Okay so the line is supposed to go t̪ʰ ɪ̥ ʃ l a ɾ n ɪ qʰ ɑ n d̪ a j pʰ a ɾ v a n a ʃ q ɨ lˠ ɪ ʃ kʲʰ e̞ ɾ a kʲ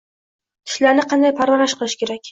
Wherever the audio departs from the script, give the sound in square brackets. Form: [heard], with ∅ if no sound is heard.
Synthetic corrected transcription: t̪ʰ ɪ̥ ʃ l a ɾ n ɪ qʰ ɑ n d̪ a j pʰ a ɾ v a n a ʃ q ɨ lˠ ɪ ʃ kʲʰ e̞ ɾ a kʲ